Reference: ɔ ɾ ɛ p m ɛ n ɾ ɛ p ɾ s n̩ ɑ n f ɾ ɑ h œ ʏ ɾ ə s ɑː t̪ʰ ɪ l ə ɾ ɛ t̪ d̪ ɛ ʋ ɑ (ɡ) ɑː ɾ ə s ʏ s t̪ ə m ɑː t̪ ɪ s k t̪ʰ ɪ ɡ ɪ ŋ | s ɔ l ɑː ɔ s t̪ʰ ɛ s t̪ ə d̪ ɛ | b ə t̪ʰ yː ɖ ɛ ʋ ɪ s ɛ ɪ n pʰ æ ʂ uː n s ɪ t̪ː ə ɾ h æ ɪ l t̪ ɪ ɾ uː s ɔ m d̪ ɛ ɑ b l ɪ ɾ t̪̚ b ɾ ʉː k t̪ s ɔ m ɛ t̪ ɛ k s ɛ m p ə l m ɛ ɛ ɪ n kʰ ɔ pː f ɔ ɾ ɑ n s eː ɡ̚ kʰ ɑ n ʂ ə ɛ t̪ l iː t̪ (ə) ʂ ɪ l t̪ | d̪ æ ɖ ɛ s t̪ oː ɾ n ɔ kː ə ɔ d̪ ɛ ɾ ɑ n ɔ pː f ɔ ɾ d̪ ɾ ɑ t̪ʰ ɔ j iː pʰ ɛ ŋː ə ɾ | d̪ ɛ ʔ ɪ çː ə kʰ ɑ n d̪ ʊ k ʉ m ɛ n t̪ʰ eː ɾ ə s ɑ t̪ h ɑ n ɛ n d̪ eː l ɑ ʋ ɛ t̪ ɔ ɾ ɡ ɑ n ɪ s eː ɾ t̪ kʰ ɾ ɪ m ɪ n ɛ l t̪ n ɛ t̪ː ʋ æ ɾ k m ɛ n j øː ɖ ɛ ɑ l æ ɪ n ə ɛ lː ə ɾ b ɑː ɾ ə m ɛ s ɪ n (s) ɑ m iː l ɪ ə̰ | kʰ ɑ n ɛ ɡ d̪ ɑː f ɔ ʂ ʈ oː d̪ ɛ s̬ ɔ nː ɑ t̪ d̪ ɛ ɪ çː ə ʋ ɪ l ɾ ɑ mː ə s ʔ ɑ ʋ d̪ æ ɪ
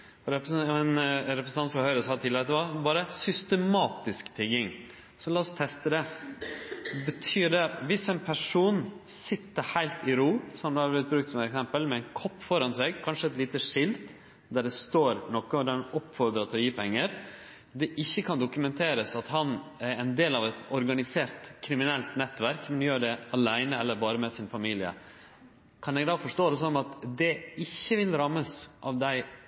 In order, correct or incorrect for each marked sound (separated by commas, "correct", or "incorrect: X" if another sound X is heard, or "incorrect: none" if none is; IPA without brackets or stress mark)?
incorrect: b, correct, incorrect: f